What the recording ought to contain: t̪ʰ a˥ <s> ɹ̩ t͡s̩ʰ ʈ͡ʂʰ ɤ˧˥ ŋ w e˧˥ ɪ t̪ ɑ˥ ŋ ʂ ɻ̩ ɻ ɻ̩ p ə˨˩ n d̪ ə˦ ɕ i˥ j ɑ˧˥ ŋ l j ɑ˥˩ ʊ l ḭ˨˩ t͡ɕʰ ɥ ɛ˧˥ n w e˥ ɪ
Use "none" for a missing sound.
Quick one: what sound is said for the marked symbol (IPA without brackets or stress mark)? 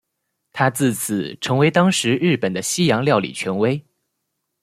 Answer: t͡s